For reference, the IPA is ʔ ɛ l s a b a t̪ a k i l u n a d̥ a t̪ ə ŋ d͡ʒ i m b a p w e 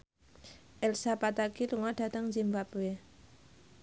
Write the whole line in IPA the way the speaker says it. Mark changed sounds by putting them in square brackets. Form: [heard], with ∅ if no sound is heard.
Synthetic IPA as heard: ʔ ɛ l s a [p] a t̪ a k i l u [ŋ] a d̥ a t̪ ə ŋ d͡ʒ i m b a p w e